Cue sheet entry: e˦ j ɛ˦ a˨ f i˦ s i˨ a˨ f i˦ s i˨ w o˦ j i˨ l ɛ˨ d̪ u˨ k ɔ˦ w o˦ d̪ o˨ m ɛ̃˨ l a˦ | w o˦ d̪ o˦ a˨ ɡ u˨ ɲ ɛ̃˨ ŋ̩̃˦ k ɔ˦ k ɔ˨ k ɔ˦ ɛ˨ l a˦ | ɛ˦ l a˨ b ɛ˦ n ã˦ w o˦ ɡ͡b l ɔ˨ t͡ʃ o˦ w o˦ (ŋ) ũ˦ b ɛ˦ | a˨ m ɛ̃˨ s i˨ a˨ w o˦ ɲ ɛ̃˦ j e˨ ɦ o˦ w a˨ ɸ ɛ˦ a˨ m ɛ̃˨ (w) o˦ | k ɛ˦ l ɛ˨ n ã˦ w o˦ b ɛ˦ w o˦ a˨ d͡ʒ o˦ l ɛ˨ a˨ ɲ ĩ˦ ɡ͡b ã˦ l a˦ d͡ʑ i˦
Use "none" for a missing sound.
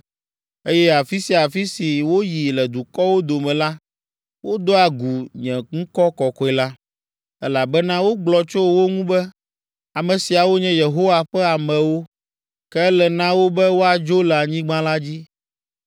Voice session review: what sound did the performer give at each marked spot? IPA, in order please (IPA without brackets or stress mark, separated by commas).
ŋ, w